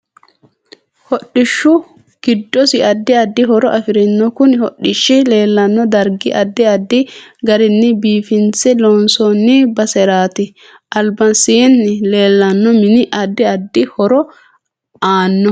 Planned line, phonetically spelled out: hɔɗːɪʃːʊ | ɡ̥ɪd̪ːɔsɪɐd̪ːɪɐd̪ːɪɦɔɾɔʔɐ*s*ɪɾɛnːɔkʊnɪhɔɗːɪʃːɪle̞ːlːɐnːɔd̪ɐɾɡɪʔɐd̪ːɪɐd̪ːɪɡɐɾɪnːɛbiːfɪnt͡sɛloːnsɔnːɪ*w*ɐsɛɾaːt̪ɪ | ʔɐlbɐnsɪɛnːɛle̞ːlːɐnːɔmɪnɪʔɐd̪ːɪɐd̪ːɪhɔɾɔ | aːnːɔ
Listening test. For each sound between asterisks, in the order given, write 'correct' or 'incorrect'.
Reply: incorrect, incorrect

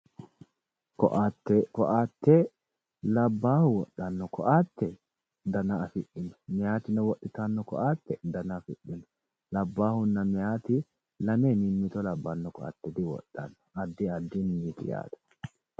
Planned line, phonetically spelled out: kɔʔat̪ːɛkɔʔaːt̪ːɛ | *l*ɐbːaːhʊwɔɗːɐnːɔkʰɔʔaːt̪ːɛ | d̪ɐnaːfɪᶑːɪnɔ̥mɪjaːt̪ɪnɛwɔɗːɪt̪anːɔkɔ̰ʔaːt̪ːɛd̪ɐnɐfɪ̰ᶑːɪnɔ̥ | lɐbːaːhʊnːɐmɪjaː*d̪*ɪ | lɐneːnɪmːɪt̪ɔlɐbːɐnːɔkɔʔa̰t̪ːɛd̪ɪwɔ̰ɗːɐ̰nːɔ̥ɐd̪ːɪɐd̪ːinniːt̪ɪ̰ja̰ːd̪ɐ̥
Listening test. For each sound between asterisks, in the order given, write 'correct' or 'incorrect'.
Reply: correct, incorrect

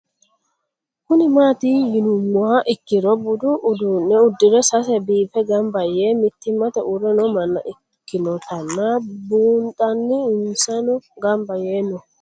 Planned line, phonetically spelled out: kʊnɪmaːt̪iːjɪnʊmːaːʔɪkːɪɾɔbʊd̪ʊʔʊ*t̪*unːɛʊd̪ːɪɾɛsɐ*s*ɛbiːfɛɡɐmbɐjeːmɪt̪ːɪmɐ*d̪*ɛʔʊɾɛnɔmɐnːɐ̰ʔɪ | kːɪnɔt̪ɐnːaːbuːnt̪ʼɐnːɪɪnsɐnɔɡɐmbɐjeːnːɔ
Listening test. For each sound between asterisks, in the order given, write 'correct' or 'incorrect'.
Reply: incorrect, correct, incorrect

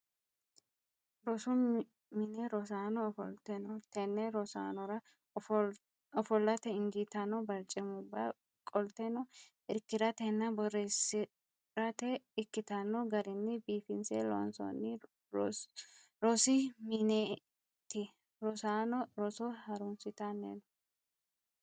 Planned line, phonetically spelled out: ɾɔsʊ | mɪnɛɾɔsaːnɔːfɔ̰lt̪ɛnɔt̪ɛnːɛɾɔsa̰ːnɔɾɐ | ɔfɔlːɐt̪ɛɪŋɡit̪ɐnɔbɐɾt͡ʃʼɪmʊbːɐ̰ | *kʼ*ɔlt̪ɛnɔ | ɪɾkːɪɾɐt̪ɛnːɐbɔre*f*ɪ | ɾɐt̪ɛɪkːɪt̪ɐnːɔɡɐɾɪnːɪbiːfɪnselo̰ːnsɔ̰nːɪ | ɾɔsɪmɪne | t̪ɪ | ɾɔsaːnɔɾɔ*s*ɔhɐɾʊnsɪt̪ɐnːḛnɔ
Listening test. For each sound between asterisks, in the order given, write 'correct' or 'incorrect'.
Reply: correct, incorrect, correct

